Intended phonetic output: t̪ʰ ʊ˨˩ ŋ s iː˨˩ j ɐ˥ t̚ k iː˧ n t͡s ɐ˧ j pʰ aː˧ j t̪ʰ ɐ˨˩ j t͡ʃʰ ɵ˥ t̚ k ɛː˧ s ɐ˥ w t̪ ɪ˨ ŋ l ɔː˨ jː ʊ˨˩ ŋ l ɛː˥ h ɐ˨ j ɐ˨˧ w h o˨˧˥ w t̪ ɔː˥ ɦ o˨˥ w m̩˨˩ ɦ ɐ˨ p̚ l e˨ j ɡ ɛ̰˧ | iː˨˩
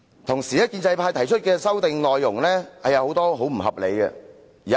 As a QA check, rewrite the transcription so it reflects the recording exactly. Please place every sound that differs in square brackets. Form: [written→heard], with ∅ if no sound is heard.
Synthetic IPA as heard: t̪ʰ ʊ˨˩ ŋ s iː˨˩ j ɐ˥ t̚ k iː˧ n t͡s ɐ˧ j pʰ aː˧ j t̪ʰ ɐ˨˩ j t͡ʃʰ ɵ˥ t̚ k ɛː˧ s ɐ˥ w t̪ ɪ˨ ŋ l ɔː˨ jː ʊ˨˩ ŋ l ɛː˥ h ɐ˨ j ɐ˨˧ w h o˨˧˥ w t̪ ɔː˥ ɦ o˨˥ w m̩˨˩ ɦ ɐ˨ p̚ l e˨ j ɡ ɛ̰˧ | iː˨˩